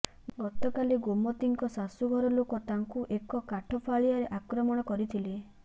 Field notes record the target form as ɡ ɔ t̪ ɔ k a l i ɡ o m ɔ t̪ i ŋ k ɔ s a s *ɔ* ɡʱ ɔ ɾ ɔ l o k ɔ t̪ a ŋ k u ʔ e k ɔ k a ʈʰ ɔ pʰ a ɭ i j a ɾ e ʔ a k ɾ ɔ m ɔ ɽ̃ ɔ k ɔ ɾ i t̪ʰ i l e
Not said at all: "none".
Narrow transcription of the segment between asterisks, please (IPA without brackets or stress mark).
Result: u